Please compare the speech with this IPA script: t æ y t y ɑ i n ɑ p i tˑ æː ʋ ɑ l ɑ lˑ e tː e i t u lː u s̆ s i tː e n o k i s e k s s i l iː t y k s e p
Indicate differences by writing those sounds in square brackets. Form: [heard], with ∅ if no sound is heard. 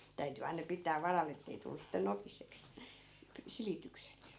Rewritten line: t æ y t y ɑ i n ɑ p i tˑ æː ʋ ɑ [r] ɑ lˑ e tː e i t u lː u s̆ s i tː e n o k i s e k s s i l [i] t y k s e [t]